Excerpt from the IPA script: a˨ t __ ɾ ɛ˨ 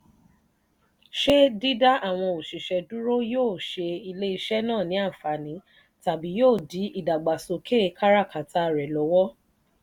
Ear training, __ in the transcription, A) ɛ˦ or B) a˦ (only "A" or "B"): B